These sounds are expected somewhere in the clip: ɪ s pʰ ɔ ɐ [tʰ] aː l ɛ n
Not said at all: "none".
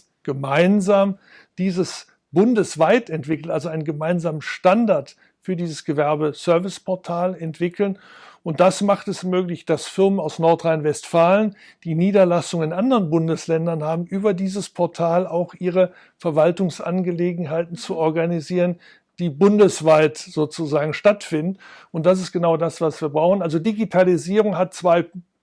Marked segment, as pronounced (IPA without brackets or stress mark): tʰ